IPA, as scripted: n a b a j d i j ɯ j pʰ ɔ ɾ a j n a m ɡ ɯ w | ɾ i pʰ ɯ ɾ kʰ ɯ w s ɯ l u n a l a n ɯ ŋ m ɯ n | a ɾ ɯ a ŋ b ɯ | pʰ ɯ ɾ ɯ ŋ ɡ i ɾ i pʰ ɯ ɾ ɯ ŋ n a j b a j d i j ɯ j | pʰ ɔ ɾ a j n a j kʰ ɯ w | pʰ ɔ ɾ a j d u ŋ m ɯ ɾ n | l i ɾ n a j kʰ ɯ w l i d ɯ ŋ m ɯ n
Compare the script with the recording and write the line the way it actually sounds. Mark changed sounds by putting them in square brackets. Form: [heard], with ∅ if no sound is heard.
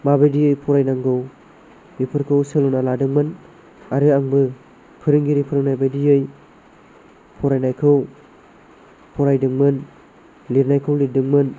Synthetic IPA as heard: [m] a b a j d i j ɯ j pʰ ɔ ɾ a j n a [ŋ] ɡ ɯ w | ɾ i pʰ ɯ ɾ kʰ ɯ w s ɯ l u n a l a [d] ɯ ŋ m ɯ n | a ɾ ɯ a ŋ b ɯ | pʰ ɯ ɾ ɯ ŋ ɡ i ɾ i pʰ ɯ ɾ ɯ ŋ n a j b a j d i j ɯ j | pʰ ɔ ɾ a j n a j kʰ ɯ w | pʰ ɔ ɾ a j d [ɯ] ŋ m ɯ [∅] n | l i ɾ n a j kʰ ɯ w l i d ɯ ŋ m ɯ n